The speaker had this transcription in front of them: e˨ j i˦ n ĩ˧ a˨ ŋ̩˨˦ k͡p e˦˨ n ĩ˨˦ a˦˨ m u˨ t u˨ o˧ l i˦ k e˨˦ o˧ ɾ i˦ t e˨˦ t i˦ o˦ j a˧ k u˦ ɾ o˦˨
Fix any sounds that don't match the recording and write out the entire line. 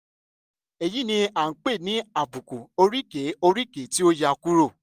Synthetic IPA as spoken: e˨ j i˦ n ĩ˧ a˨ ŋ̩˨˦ k͡p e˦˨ n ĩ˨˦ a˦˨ b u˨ k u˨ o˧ ɾ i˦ k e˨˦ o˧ ɾ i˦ k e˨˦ t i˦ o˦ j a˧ k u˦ ɾ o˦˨